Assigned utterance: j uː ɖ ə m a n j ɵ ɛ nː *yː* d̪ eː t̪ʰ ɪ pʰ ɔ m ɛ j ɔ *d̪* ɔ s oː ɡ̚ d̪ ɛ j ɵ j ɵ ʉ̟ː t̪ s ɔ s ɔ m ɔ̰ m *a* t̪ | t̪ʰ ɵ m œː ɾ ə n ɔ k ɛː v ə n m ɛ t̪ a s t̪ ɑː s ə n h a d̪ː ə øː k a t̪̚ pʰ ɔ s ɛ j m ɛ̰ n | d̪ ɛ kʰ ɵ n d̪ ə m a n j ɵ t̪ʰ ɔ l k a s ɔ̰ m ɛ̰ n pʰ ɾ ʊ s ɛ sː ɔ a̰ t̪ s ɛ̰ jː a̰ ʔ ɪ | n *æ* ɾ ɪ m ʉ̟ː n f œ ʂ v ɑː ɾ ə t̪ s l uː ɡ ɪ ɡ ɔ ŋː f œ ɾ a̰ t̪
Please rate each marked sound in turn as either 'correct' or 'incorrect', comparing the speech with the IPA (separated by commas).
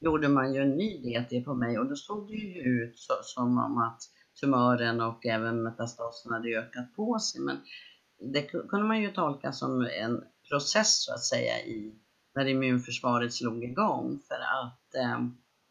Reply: correct, correct, correct, correct